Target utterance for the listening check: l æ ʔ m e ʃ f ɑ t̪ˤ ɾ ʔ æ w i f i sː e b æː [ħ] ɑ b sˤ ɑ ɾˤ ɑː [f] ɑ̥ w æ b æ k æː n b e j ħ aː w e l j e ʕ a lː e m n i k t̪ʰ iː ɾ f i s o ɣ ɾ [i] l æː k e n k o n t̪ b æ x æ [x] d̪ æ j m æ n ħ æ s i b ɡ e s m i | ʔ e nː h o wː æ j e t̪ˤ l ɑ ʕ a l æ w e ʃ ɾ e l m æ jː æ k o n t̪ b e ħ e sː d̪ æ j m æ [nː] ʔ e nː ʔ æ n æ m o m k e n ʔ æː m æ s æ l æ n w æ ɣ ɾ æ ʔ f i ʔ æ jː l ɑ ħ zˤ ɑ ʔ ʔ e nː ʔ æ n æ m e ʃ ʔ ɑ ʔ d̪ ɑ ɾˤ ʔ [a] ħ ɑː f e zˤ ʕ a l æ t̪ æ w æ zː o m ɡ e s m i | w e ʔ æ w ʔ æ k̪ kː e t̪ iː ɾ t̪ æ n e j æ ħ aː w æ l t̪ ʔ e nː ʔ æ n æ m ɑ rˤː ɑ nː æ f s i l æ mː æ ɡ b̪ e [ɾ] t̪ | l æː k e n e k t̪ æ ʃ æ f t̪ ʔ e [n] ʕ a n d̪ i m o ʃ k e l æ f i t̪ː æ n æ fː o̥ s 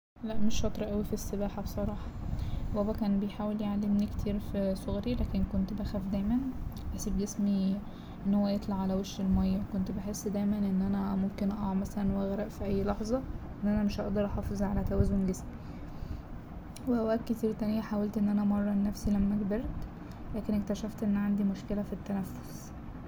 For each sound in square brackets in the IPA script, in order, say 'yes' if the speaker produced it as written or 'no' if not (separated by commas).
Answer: yes, no, yes, no, no, no, yes, no